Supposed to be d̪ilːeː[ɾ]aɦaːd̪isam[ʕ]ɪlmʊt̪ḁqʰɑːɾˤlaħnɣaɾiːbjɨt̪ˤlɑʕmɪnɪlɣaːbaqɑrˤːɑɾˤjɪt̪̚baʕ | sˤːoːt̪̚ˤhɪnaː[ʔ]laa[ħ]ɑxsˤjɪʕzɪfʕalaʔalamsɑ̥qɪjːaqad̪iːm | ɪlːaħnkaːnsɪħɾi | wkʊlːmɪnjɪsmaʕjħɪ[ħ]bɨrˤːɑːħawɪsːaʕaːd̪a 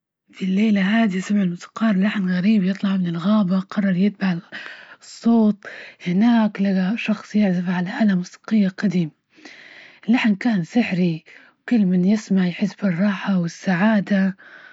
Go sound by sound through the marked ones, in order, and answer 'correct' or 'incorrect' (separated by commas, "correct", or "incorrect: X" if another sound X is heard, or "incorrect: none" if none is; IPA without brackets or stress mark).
incorrect: l, correct, incorrect: k, incorrect: ʃ, incorrect: s